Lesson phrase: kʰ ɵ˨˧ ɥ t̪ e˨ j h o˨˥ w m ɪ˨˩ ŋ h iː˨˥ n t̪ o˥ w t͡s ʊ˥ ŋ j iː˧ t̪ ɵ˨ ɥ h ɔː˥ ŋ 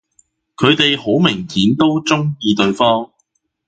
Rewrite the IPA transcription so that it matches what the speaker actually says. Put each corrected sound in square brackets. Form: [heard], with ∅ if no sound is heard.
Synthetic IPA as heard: kʰ ɵ˨˧ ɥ t̪ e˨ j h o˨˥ w m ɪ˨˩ ŋ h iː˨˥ n t̪ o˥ w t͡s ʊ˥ ŋ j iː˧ t̪ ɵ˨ ɥ [f] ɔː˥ ŋ